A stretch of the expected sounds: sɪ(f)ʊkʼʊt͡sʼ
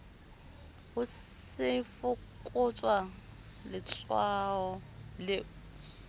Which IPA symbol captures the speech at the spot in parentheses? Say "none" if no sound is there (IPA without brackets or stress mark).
f